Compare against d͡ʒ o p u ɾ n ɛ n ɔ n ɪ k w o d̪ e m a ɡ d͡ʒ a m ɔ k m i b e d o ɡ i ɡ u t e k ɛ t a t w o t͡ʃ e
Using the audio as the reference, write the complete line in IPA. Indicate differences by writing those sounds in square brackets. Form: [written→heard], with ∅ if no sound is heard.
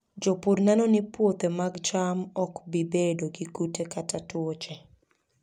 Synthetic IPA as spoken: d͡ʒ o p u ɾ n ɛ n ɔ n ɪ [k→p] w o [d̪→t̪] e m a ɡ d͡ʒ a m ɔ k [m→b] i b e d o ɡ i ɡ u t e k [ɛ→a] t a t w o t͡ʃ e

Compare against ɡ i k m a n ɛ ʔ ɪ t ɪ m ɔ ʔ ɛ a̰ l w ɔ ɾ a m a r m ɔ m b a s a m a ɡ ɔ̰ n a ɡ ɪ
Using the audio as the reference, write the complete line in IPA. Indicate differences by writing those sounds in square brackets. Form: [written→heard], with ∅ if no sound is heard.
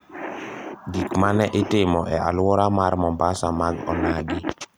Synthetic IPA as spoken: ɡ i k m a n ɛ ʔ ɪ t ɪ m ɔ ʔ ɛ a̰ l w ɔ ɾ a m a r m ɔ m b a s a m a ɡ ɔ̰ n a ɡ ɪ

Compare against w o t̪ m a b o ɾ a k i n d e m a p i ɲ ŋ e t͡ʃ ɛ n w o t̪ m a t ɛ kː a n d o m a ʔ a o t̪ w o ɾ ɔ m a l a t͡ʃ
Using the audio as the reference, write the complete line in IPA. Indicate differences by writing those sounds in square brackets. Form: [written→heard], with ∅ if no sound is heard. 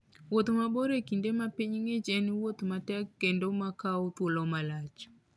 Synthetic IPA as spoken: w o t̪ m a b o ɾ [a→e] k i n d e m a p i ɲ ŋ e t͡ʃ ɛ n w o t̪ m a t ɛ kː [a→e] n d o m a [ʔ→k] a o t̪ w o [ɾ→l] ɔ m a l a t͡ʃ

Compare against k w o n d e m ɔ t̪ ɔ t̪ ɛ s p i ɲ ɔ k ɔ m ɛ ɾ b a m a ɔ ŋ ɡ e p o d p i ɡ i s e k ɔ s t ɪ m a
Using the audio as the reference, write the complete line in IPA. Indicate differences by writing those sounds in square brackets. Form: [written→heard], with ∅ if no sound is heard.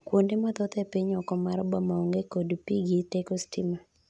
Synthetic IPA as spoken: k w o n d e m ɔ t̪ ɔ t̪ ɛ [s→∅] p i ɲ ɔ k ɔ m [ɛ→a] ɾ b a m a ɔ ŋ ɡ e [p→k] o d p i ɡ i [s→t] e k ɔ s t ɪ m a

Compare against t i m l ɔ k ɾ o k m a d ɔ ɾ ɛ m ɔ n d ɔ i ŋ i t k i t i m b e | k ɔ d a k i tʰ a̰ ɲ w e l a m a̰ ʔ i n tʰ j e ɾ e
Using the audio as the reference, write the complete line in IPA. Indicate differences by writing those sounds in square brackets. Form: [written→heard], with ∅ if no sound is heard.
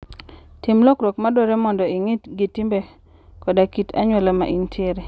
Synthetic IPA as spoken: t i m l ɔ k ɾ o k m a d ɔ ɾ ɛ m ɔ n d ɔ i ŋ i t [k→ɡ] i t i m b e | k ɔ d a k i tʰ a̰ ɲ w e l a m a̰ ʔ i n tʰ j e ɾ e

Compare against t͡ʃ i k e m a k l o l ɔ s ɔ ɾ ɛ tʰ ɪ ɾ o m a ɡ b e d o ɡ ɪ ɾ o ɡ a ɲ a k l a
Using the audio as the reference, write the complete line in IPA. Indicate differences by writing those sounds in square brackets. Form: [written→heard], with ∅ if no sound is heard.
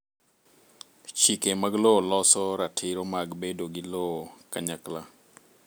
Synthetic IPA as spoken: t͡ʃ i k e m a [k→ɡ] l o l ɔ s ɔ ɾ [ɛ→a] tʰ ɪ ɾ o m a ɡ b e d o ɡ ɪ [ɾ→l] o [ɡ→k] a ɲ a k l a

